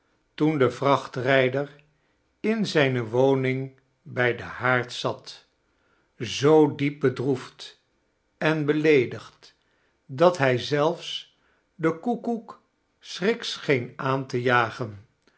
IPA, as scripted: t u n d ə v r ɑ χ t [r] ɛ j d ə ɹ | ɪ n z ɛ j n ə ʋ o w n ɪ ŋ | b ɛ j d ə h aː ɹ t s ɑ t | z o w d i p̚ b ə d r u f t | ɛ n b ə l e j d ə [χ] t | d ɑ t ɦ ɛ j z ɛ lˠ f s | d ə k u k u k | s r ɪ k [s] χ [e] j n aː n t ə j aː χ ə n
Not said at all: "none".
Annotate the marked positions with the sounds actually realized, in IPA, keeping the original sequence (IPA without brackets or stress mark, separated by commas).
r, χ, s, e